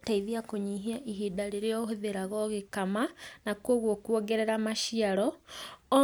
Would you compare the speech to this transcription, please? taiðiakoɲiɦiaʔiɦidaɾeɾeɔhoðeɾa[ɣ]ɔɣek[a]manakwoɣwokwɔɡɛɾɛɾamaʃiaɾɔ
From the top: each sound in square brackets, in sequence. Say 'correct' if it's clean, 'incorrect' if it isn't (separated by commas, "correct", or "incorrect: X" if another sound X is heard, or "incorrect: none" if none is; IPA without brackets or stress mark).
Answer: correct, correct